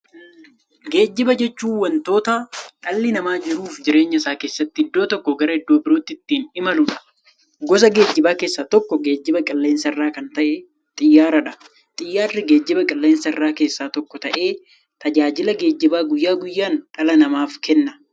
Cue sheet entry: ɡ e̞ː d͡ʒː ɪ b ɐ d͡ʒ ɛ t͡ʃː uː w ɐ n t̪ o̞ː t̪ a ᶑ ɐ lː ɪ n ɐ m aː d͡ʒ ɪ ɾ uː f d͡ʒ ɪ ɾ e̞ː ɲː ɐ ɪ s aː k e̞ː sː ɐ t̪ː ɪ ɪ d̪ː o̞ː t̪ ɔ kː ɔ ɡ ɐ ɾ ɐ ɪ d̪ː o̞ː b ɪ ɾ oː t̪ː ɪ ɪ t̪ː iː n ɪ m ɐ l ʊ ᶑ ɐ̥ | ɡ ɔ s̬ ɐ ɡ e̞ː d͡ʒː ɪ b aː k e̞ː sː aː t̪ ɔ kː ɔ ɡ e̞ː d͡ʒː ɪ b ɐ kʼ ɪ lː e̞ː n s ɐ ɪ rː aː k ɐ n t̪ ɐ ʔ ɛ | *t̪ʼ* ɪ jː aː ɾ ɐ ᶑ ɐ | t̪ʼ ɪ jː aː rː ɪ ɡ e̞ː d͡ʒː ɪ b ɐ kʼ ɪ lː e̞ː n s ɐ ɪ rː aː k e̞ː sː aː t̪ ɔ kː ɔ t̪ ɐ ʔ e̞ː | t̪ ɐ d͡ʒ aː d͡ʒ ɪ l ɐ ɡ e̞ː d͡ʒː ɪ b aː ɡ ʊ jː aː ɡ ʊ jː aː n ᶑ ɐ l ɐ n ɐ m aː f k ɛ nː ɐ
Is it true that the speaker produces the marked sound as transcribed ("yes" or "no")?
yes